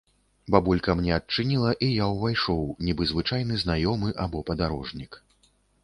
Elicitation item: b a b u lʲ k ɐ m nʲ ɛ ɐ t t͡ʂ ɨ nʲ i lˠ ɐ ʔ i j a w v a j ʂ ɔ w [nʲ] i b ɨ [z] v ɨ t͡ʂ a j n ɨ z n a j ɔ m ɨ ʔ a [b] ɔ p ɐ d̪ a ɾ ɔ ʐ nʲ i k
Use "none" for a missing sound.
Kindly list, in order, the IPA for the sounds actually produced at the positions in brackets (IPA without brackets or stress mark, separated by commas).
nʲ, z, b